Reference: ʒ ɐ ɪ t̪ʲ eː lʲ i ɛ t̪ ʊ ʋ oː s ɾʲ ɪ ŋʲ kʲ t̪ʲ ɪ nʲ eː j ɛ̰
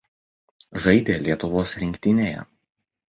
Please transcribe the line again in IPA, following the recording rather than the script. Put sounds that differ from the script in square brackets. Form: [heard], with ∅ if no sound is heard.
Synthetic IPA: ʒ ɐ ɪ [d̪ʲ] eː lʲ i ɛ t̪ ʊ ʋ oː s ɾʲ ɪ ŋʲ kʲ t̪ʲ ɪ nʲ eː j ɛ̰

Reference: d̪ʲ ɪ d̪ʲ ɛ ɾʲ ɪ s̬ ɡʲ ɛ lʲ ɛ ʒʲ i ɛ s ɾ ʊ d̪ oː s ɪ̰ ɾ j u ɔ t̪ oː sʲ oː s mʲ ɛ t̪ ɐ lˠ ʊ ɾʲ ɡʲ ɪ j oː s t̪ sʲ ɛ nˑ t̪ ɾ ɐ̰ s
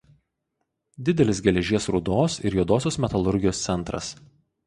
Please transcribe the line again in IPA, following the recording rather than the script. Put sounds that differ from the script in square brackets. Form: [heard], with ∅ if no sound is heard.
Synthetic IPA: d̪ʲ ɪ d̪ʲ ɛ [lʲ] ɪ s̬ ɡʲ ɛ lʲ ɛ ʒʲ i ɛ s ɾ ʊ d̪ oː s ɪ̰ ɾ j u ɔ [d̪] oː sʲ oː s mʲ ɛ t̪ ɐ lˠ ʊ ɾʲ ɡʲ ɪ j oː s t̪ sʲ ɛ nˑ t̪ ɾ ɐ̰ s

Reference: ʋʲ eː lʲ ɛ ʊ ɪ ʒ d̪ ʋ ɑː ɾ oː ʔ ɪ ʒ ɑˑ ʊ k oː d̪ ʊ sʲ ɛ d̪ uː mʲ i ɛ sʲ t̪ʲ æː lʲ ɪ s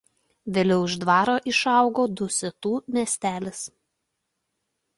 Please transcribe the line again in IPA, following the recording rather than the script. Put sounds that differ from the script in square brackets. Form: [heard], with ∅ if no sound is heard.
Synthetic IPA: ʋʲ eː lʲ ɛ ʊ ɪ ʒ d̪ ʋ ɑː ɾ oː ʔ ɪ [ʃ] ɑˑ ʊ [ɡ] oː d̪ ʊ sʲ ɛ [t̪] uː mʲ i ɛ sʲ t̪ʲ æː lʲ ɪ s

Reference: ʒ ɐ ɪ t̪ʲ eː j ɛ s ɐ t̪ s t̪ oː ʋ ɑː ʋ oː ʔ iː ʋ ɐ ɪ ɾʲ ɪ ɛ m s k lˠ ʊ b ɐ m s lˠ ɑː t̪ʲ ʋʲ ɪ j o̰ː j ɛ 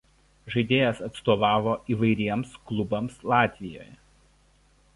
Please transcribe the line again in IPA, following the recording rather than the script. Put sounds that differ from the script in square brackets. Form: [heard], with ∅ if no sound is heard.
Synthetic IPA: ʒ ɐ ɪ [d̪ʲ] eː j ɛ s ɐ t̪ s t̪ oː ʋ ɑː ʋ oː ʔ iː ʋ ɐ ɪ ɾʲ [i] ɛ m s k lˠ ʊ b ɐ m s lˠ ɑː t̪ʲ ʋʲ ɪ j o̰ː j ɛ

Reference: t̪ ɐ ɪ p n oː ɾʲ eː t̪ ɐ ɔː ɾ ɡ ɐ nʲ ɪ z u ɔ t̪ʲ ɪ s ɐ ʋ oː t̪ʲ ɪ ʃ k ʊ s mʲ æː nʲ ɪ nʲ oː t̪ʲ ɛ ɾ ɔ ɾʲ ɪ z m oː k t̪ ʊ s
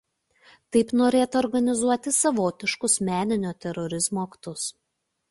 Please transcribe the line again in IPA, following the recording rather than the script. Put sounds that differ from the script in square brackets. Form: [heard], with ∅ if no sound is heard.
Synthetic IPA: t̪ ɐ ɪ p n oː ɾʲ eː t̪ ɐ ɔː ɾ ɡ ɐ nʲ ɪ z u ɔ t̪ʲ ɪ s ɐ ʋ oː t̪ʲ ɪ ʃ k ʊ s mʲ æː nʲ ɪ nʲ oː t̪ʲ ɛ ɾ ɔ ɾʲ ɪ z m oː k t̪ ʊ s

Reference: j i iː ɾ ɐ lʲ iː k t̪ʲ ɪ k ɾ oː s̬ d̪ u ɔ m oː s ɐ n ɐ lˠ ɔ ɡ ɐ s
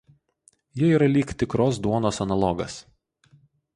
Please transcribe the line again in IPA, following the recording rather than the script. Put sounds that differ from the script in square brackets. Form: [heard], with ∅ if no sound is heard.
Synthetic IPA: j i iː ɾ ɐ lʲ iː k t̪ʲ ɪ k ɾ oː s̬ d̪ u ɔ [n] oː s ɐ n ɐ lˠ ɔ ɡ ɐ s

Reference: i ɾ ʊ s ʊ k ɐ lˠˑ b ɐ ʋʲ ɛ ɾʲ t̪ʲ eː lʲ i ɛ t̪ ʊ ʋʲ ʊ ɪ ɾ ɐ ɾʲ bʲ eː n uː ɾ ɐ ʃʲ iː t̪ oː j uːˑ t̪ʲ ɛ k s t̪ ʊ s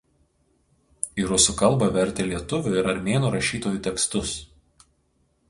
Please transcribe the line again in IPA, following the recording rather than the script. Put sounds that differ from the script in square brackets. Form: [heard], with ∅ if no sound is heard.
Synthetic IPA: i ɾ ʊ s ʊ k ɐ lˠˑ b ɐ ʋʲ ɛ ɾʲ t̪ʲ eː lʲ i ɛ t̪ ʊ ʋʲ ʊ ɪ ɾ ɐ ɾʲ [mʲ] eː n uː ɾ ɐ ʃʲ iː t̪ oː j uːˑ t̪ʲ ɛ k s t̪ ʊ s

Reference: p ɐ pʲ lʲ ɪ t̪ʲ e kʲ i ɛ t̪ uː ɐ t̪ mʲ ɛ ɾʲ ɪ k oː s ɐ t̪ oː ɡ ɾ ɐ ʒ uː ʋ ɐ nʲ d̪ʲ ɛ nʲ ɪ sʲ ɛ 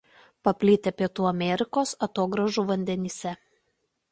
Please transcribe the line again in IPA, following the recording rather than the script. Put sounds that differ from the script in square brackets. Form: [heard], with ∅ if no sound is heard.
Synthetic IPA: p ɐ pʲ lʲ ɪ t̪ʲ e [pʲ] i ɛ t̪ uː ɐ [∅] mʲ ɛ ɾʲ ɪ k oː s ɐ t̪ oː ɡ ɾ ɐ ʒ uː ʋ ɐ nʲ d̪ʲ ɛ nʲ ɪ sʲ ɛ

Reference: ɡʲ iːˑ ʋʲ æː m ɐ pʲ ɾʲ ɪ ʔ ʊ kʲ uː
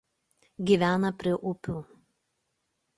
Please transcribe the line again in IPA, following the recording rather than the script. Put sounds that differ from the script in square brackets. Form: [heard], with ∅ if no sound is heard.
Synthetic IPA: ɡʲ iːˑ ʋʲ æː [n] ɐ pʲ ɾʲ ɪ ʔ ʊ [pʲ] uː

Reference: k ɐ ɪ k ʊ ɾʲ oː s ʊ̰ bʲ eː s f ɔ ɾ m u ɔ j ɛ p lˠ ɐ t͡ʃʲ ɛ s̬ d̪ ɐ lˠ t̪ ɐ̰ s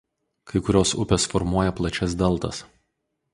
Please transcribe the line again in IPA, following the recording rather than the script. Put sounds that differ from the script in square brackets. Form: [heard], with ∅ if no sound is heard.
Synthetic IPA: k ɐ ɪ k ʊ ɾʲ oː s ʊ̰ [pʲ] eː s f ɔ ɾ m u ɔ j ɛ p lˠ ɐ t͡ʃʲ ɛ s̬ d̪ ɐ lˠ t̪ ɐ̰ s

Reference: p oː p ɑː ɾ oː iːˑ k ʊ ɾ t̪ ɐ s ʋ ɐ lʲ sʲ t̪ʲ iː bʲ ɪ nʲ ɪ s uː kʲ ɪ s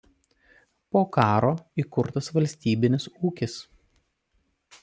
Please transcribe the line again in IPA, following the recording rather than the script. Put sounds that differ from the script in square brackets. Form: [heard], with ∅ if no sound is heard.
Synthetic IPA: p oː [k] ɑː ɾ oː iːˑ k ʊ ɾ t̪ ɐ s ʋ ɐ lʲ sʲ t̪ʲ iː bʲ ɪ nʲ ɪ s uː kʲ ɪ s

